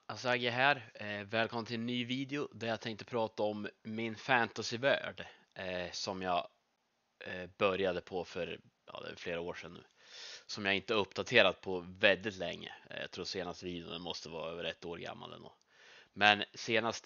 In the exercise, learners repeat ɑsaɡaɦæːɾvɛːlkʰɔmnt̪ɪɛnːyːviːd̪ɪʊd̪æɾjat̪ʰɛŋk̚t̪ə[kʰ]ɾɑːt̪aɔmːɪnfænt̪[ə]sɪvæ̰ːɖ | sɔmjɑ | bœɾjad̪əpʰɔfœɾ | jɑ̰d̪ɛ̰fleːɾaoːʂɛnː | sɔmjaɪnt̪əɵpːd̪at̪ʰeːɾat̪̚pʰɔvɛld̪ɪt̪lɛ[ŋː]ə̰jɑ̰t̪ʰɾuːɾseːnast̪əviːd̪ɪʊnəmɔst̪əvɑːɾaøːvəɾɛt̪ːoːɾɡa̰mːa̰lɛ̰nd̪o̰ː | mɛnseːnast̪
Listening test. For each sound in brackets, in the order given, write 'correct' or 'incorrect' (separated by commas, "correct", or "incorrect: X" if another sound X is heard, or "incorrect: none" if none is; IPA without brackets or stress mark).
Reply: incorrect: pʰ, incorrect: a, correct